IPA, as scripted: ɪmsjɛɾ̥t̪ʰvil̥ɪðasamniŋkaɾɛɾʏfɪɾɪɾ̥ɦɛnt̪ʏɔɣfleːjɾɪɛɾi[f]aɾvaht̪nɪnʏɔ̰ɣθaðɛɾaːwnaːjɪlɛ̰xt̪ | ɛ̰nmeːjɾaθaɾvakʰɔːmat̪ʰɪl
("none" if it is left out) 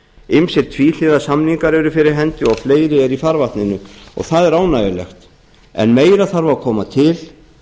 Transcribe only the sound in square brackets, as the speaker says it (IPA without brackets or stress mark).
f